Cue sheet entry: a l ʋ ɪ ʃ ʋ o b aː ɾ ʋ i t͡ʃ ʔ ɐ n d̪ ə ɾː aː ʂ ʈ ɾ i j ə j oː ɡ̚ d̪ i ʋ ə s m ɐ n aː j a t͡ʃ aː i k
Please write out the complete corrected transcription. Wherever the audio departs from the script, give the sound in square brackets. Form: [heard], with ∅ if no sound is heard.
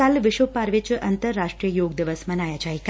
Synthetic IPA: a l ʋ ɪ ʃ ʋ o [p] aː ɾ ʋ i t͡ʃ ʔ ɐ n [t̪] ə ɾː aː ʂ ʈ ɾ i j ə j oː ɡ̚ d̪ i ʋ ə s m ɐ n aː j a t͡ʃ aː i k

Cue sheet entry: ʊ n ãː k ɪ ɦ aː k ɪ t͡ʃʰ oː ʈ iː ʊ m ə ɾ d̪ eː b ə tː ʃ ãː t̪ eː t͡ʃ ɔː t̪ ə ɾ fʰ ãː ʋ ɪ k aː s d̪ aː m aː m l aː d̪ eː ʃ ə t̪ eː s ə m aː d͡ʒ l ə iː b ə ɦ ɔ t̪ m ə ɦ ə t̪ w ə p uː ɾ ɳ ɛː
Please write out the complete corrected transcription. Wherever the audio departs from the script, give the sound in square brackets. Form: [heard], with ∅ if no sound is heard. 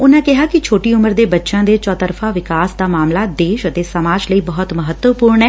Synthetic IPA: ʊ n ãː k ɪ ɦ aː k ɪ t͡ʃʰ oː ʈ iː ʊ m ə ɾ d̪ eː b ə tː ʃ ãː [d̪] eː t͡ʃ ɔː t̪ ə ɾ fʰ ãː ʋ ɪ k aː s d̪ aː m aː m l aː d̪ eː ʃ ə t̪ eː s ə m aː d͡ʒ l ə iː b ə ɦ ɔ t̪ m ə ɦ ə t̪ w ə p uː ɾ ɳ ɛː

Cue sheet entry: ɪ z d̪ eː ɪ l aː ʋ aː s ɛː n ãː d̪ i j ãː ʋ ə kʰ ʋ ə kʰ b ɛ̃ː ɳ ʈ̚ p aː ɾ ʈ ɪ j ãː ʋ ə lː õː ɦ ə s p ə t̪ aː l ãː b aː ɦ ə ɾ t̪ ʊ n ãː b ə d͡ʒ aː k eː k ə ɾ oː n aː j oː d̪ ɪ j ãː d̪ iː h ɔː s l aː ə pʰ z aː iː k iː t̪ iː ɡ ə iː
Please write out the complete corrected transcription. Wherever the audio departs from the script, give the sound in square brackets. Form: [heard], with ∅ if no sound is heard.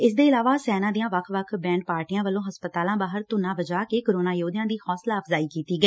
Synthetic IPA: ɪ [s] d̪ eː ɪ l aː ʋ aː s ɛː n ãː d̪ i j ãː ʋ ə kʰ ʋ ə kʰ b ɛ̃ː ɳ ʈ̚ p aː ɾ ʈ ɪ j ãː ʋ ə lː õː ɦ ə s p ə t̪ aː l ãː b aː ɦ ə ɾ t̪ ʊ n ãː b ə d͡ʒ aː k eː k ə ɾ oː n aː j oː d̪ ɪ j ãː d̪ iː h ɔː s l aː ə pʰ z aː iː k iː t̪ iː ɡ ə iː

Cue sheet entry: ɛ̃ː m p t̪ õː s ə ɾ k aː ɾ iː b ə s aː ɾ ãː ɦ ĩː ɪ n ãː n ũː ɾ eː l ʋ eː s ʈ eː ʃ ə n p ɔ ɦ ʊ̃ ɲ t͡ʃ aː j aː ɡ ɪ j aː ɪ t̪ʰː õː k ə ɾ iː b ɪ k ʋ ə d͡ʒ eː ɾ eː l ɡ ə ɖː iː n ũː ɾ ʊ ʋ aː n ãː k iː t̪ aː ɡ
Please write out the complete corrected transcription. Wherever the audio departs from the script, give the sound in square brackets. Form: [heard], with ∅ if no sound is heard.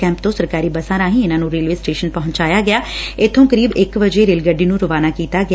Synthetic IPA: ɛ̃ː m p t̪ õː s ə ɾ k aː ɾ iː b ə s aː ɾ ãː ɦ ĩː ɪ n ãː n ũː ɾ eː l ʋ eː s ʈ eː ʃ ə n p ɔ ɦ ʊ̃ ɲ t͡ʃ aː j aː ɡ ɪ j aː ɪ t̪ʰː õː k ə ɾ iː b ɪ k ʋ ə d͡ʒ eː ɾ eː l ɡ ə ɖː iː n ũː ɾ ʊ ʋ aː n [aː] k iː t̪ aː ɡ

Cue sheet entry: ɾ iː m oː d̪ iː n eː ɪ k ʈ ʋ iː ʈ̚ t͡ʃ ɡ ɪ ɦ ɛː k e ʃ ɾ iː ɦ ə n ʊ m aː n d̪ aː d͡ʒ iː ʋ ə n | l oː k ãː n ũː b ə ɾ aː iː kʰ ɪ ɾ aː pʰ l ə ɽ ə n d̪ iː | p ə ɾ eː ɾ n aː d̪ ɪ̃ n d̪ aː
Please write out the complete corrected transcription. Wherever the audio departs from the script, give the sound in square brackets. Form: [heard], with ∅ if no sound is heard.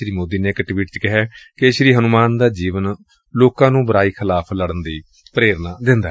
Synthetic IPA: ɾ iː m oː d̪ iː n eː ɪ k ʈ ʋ iː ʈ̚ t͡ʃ [k] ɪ ɦ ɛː k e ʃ ɾ iː ɦ ə n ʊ m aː n d̪ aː d͡ʒ iː ʋ ə n | l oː k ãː n ũː b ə ɾ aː iː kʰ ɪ [l] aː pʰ l ə ɽ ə n d̪ iː | p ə ɾ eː ɾ n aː d̪ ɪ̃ n d̪ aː

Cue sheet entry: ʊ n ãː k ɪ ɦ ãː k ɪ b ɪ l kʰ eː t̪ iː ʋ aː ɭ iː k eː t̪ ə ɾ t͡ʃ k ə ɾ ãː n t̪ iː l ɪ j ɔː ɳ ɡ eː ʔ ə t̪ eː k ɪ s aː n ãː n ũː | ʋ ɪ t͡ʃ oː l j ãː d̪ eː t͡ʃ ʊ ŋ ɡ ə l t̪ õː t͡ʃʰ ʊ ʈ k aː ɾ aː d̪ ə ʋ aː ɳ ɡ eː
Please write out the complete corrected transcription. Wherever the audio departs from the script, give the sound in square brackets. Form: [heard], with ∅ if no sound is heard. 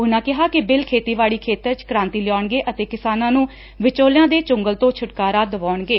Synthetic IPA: ʊ n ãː k ɪ ɦ [aː] k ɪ b ɪ l kʰ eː t̪ iː ʋ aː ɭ iː [kʰ] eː t̪ ə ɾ t͡ʃ k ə ɾ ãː n t̪ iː l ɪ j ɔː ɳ ɡ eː ʔ ə t̪ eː k ɪ s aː n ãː n ũː | ʋ ɪ t͡ʃ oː l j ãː d̪ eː t͡ʃ ʊ ŋ ɡ ə l t̪ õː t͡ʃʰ ʊ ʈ k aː ɾ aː d̪ ə ʋ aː ɳ ɡ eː

